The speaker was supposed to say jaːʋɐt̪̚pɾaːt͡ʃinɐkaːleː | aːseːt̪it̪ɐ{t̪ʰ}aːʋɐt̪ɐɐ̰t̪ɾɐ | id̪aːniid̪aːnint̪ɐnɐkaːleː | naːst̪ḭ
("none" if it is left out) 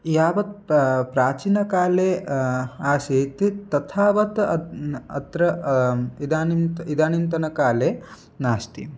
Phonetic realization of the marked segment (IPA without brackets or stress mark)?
t̪ʰ